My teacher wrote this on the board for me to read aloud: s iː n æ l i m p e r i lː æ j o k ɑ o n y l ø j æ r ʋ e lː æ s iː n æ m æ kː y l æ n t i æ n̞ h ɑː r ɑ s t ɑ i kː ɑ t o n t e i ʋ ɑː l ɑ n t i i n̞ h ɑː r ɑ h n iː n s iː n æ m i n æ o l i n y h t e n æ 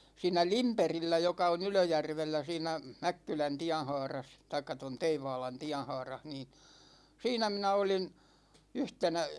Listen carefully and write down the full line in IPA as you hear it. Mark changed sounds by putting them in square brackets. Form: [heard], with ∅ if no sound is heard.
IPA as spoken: s iː n æ l i m p e r i lː æ j o k ɑ o n y l ø j æ r ʋ e lː æ s iː n æ m æ kː y l æ n t i æ n̞ h ɑː r ɑ s t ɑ i kː ɑ t o n t e i ʋ ɑː l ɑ n t i [æ] n̞ h ɑː r ɑ h n iː n s iː n æ m i n æ o l i n y h t e n æ